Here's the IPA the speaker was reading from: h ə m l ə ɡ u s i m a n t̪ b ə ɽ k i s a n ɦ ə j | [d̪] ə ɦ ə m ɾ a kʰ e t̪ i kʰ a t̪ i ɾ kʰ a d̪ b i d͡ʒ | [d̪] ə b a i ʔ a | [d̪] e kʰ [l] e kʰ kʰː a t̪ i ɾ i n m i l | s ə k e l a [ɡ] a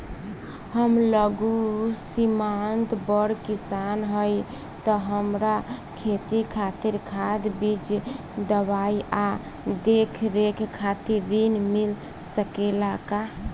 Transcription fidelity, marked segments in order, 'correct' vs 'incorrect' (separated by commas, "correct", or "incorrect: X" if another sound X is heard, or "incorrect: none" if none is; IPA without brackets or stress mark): incorrect: t̪, correct, correct, incorrect: ɾ, incorrect: k